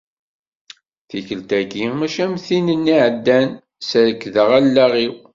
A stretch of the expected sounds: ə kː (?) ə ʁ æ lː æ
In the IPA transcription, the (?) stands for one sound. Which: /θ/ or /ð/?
ð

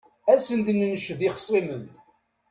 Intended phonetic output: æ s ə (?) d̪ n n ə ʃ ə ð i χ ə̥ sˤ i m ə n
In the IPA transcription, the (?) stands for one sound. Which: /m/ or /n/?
n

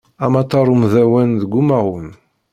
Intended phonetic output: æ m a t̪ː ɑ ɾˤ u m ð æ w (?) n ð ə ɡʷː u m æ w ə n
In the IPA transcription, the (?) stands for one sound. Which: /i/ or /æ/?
æ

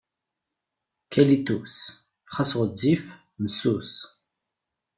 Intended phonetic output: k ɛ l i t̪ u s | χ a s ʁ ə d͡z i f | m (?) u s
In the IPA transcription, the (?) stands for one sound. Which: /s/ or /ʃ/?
s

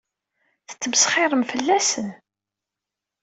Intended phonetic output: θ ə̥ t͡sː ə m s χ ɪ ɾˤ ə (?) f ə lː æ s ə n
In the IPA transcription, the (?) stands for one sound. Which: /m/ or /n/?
m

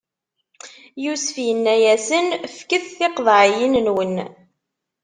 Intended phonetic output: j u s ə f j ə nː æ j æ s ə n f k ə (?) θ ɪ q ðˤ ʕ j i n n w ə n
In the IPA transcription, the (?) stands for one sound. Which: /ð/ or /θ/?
θ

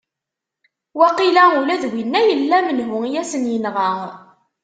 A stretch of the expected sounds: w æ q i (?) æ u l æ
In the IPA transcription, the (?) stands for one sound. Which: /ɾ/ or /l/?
l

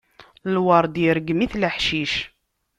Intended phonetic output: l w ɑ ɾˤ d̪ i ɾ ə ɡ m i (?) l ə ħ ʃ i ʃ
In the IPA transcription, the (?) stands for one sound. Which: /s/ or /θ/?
θ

